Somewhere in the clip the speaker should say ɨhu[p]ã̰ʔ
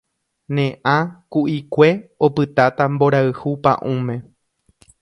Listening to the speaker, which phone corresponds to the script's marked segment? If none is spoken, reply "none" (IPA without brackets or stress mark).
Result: p